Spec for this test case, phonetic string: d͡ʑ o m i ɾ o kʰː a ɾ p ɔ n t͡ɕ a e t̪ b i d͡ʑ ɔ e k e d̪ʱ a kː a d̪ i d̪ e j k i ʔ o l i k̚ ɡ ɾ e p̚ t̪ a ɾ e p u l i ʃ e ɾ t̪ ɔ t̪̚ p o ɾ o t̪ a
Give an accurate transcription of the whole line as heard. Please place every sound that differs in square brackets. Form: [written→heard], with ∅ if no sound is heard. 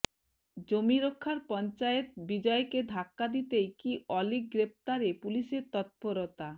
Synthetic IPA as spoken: d͡ʑ o m i ɾ o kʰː a ɾ p ɔ n t͡ɕ a e t̪ b i d͡ʑ ɔ e k e d̪ʱ a kː a d̪ i [d̪→t̪] e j k i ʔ [o→ɔ] l i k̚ ɡ ɾ e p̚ t̪ a ɾ e p u l i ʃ e ɾ t̪ ɔ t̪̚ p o ɾ o t̪ a